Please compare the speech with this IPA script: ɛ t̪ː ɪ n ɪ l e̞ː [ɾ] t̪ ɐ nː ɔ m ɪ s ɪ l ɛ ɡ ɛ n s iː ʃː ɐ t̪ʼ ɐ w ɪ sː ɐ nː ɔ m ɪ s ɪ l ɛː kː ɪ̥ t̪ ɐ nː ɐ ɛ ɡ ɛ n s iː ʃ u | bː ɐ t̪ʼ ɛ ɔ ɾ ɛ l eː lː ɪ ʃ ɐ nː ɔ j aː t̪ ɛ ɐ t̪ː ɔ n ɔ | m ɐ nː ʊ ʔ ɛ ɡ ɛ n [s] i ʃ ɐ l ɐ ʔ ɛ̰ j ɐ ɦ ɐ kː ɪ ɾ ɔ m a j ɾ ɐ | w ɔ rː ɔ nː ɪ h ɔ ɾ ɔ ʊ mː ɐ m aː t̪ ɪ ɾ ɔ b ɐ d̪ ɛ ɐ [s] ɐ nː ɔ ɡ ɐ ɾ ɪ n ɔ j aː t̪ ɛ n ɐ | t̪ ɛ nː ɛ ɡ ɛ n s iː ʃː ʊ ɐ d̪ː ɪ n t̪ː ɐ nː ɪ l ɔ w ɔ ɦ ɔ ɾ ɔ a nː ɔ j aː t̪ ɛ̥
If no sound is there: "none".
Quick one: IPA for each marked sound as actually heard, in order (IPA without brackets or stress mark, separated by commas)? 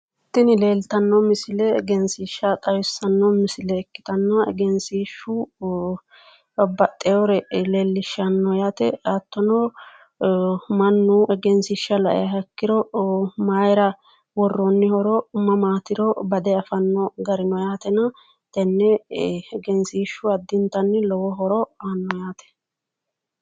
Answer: l, s, f